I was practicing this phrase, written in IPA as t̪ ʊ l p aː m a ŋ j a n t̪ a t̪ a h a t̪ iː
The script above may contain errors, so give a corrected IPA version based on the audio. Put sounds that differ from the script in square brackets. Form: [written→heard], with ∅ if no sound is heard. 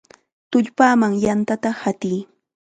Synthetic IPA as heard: t̪ ʊ [l→ʎ] p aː m a ŋ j a n t̪ a t̪ a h a t̪ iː